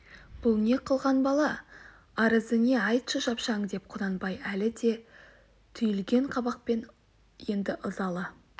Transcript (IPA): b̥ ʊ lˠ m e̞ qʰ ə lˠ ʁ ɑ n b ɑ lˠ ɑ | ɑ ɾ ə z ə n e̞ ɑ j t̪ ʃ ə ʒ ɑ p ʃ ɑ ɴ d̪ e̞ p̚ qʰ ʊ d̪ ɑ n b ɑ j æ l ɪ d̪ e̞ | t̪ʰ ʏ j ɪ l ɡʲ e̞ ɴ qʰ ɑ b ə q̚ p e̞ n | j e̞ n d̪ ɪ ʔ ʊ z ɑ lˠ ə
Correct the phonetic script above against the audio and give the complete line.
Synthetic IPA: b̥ ʊ lˠ n e̞ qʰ ə lˠ ʁ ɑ n b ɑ lˠ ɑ | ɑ ɾ ə z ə n e̞ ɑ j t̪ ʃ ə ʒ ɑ p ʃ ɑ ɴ d̪ e̞ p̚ qʰ ʊ d̪ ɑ n b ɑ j æ l ɪ d̪ e̞ | t̪ʰ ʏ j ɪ l ɡʲ e̞ ɴ qʰ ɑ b ɑ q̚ p e̞ n | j e̞ n d̪ ɪ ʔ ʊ z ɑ lˠ ə